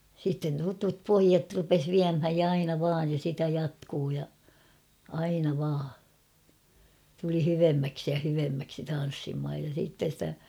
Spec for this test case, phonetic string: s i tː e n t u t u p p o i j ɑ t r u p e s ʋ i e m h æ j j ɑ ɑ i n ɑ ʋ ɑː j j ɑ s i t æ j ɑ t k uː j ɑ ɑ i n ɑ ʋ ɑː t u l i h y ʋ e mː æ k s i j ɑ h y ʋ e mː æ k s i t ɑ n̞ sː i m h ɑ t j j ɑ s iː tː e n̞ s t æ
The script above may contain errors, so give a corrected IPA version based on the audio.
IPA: s i tː e n t u t u p p o i j ɑ t r u p e s ʋ i æ m h æ j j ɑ ɑ i n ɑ ʋ ɑː j j ɑ s i t æ j ɑ t k uː j ɑ ɑ i n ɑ ʋ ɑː t u l i h y ʋ e mː æ k s i j ɑ h y ʋ e mː æ k s i t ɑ n̞ sː i m h ɑ j j ɑ s iː tː e n̞ s t æ

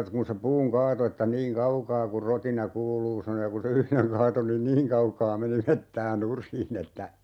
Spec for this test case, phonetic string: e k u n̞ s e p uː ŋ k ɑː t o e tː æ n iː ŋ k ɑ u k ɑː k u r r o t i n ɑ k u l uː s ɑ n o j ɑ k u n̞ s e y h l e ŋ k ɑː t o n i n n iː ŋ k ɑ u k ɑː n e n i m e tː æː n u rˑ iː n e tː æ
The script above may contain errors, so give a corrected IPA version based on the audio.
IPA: e k u n̞ s e p uː ŋ k ɑː t o e tː æ n iː ŋ k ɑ u k ɑː k u r r o t i n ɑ k uː l uː s ɑ n o j ɑ k u n̞ s e y h l e ŋ k ɑː t o n i n n iː ŋ k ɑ u k ɑː m e n i m e tː æː n u rˑ iː n e tː æ

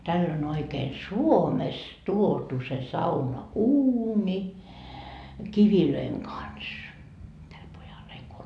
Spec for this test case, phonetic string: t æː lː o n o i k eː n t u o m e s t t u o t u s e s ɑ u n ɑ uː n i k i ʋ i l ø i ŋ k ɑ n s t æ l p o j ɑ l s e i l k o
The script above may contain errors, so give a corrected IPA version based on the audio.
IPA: t æ lː o n o i k eː n s u o m e s t t u o t u s e s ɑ u n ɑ uː n i k i ʋ i l ø i ŋ k ɑ n s t æ l p o j ɑ l h e i l k o

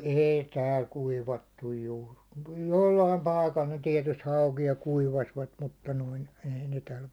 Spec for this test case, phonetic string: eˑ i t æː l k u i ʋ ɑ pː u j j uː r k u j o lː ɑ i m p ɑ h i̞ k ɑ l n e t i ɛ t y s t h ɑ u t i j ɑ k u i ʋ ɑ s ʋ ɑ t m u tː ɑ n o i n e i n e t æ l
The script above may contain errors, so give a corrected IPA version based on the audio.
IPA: eˑ i t æː l k u i ʋ ɑ tː u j j uː r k u j o lː ɑ i m p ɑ i̞ k ɑ l n e t i ɛ t y s t h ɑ u k i j ɑ k u i ʋ ɑ s ʋ ɑ t m u tː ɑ n o i n e i n e t æ l

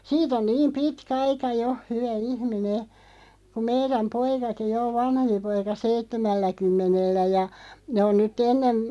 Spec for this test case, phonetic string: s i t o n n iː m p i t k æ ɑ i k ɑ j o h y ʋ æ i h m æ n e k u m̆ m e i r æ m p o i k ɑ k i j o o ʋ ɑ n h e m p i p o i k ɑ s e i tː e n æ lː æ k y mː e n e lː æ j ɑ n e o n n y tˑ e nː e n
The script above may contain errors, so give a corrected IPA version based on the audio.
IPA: s iː t o n n iː m p i t k æ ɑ i k ɑ j o h y ʋ æ i h m i n e k u m̆ m e i r æ m p o i k ɑ k i j o o ʋ ɑ n h e m p i p o i k ɑ s e i tː e m æ lː æ k y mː e n e lː æ j ɑ n e o n n y tˑ e nː e n

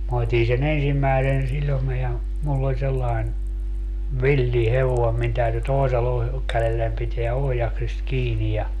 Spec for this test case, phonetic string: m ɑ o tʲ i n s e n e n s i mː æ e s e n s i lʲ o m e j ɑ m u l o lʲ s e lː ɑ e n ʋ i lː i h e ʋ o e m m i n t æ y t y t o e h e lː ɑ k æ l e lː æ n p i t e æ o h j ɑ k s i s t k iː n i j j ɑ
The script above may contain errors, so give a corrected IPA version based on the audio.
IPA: m ɑ o tʲ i n s e n e n s i mː æ e s e n s i lʲ o m e j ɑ m u lː o lʲ s e lː ɑ e n ʋ i lː i h e ʋ o e m m i n t æ y t y t o e s e lː ɑ k æ l e lː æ n p i t e æ o h j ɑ k s i s t k iː n i j j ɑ

